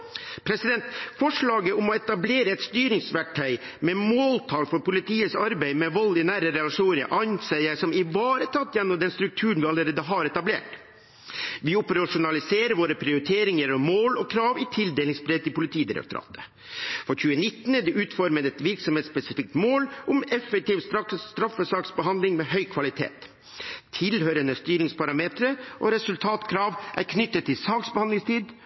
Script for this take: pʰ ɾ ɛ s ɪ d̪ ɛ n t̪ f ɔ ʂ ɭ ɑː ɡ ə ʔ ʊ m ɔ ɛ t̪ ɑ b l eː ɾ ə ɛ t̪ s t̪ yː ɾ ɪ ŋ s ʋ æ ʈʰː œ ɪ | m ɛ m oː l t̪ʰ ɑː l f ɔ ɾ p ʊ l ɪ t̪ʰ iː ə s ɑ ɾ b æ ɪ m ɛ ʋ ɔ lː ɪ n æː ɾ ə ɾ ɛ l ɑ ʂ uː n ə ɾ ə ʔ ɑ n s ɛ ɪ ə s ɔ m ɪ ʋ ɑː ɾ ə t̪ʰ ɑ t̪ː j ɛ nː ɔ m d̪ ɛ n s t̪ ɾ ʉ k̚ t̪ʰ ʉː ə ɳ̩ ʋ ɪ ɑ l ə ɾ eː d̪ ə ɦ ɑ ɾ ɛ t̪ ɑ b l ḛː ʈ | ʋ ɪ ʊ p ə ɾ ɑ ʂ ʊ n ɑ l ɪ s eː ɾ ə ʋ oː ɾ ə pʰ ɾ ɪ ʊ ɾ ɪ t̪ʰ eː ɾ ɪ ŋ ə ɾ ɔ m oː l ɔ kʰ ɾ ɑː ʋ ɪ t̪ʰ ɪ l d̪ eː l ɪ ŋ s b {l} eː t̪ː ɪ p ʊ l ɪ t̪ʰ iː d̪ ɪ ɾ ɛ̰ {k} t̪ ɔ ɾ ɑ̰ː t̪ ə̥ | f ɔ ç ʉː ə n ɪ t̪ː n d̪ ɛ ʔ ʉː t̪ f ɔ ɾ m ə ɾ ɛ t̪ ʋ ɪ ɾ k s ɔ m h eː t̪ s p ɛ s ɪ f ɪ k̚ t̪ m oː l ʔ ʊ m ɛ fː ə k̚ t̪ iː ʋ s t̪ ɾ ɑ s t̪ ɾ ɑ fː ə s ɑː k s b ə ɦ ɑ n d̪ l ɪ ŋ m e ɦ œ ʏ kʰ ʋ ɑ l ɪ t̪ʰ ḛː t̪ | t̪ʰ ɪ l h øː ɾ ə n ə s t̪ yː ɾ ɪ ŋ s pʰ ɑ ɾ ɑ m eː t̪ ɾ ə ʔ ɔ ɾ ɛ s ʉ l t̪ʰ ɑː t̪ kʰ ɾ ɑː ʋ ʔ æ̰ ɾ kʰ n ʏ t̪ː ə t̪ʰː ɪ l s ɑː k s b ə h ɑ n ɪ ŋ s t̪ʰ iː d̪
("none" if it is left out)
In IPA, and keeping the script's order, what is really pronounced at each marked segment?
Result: ɾ, k

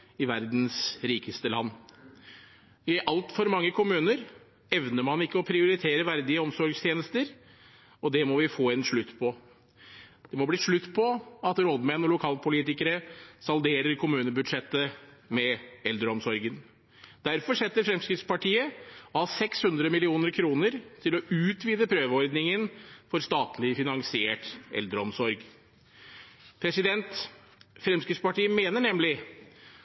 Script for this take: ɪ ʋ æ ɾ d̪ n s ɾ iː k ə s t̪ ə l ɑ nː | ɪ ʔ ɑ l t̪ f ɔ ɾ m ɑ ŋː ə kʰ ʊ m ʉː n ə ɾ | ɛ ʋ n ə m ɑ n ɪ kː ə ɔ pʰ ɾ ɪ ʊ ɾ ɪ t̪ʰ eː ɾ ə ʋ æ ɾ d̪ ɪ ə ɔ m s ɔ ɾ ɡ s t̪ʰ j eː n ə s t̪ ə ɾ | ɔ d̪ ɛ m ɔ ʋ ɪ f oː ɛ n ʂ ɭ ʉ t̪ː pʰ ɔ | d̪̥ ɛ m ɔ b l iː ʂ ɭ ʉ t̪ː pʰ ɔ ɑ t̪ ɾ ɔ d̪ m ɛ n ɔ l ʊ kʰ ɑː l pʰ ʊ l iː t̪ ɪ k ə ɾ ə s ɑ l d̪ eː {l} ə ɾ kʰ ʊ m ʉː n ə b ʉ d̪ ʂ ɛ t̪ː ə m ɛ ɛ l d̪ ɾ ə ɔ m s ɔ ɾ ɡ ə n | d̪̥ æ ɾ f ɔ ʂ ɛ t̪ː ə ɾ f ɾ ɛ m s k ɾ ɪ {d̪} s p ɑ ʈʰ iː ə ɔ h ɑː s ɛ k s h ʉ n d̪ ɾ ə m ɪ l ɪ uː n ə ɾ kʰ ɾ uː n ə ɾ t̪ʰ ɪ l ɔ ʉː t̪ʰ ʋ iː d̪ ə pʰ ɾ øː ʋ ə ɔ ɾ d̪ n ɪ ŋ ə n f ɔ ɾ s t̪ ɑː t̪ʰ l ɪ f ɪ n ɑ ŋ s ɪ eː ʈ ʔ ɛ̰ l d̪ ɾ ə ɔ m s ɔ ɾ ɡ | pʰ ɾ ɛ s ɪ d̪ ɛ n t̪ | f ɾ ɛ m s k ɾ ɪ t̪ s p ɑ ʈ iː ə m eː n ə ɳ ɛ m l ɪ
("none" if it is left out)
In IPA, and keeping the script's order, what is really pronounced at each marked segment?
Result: ɾ, t̪

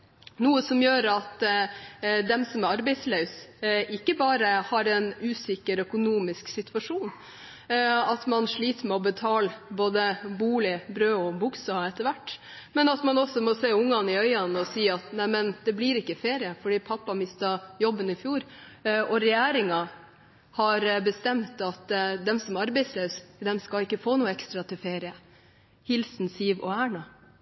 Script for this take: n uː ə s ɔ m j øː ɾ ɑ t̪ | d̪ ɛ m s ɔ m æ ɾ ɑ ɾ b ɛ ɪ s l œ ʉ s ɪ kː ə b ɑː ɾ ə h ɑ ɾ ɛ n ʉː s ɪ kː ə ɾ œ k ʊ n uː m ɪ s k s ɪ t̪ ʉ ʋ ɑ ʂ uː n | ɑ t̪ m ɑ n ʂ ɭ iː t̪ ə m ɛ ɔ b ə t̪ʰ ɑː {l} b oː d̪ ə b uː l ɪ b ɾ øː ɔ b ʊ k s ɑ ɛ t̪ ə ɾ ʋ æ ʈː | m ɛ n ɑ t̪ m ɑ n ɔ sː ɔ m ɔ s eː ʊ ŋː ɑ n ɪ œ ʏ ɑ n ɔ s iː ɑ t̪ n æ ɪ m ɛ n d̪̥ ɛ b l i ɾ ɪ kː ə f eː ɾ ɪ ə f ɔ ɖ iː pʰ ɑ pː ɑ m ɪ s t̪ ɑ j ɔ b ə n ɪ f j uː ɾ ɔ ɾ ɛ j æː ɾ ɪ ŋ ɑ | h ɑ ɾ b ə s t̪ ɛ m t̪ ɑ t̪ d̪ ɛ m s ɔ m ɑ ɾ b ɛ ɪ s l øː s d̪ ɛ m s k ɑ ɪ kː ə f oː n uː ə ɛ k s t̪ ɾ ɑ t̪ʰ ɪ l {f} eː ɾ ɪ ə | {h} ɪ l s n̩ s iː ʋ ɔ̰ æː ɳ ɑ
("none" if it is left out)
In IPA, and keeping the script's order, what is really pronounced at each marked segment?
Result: l, f, h

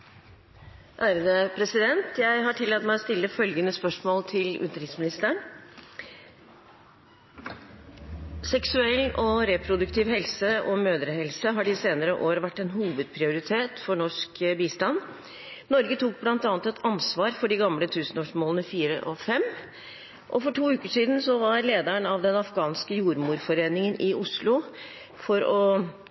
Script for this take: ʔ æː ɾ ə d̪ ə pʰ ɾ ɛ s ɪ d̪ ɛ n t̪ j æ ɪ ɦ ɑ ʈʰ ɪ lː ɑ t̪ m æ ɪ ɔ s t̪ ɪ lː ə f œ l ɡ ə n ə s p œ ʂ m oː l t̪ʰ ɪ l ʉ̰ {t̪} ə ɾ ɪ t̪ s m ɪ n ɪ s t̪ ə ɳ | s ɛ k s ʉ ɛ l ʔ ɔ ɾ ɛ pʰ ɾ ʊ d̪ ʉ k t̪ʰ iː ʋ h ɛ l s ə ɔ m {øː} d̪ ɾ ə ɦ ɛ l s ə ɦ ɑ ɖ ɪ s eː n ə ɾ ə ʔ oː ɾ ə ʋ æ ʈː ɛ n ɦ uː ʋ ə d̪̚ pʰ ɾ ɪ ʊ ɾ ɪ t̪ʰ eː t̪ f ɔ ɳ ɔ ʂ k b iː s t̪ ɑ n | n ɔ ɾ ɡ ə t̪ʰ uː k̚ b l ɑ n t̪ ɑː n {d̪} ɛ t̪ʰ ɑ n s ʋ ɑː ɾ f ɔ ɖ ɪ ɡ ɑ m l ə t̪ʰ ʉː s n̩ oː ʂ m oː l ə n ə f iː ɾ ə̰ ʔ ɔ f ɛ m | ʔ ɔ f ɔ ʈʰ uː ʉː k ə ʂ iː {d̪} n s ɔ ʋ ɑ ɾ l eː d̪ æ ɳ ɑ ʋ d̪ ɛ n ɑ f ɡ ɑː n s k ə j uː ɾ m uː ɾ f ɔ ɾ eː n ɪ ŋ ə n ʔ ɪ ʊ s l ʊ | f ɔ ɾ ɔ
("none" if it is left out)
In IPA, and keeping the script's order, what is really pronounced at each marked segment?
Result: t̪, øː, t̪, d̪

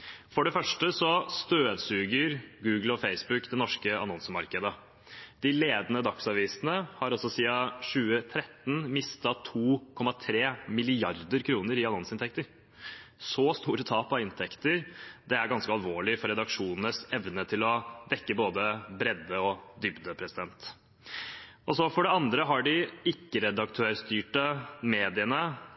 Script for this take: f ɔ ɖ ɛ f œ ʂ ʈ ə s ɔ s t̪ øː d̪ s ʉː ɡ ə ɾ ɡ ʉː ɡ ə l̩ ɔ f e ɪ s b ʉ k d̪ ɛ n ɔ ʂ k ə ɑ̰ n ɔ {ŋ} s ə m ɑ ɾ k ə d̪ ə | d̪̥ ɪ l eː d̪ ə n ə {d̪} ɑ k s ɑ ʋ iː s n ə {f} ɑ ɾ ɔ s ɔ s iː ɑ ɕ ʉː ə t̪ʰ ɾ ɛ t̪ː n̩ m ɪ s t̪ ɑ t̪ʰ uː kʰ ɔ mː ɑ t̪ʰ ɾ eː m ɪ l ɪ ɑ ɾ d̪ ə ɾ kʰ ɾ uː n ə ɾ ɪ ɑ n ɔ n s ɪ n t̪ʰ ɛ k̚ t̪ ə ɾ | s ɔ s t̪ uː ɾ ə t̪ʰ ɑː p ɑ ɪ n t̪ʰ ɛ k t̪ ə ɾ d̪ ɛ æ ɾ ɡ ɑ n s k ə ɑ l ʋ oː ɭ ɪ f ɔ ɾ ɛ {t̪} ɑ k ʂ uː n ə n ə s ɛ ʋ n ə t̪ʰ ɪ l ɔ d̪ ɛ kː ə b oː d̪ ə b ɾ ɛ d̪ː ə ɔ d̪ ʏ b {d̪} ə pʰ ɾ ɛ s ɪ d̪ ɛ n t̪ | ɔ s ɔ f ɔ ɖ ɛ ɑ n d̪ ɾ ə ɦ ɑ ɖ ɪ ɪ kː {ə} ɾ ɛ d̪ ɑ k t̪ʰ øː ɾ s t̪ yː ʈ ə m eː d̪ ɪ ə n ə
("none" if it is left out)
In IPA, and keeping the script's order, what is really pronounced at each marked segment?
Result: n, d̪, h, d̪, d̪, ə

